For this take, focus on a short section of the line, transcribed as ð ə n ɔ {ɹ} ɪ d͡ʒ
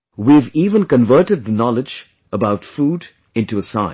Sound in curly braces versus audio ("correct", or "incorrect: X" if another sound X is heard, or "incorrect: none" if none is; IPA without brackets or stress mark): incorrect: l